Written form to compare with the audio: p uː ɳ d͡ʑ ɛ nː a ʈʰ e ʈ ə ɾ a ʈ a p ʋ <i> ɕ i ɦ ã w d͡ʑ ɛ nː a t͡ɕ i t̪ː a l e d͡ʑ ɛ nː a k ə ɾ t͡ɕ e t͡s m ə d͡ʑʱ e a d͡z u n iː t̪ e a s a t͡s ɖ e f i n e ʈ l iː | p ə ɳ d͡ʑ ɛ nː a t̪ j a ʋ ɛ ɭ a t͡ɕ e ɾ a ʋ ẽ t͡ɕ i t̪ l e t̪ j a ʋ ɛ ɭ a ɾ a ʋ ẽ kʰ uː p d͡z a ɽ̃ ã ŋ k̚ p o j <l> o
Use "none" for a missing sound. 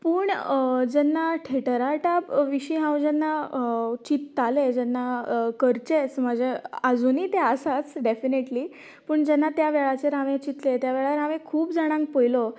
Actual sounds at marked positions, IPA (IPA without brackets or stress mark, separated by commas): i, l